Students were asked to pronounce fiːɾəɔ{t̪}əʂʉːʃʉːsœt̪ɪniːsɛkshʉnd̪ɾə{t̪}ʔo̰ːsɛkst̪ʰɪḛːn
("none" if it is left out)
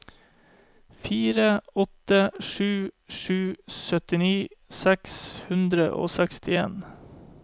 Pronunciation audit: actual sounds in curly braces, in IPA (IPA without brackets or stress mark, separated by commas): t̪, none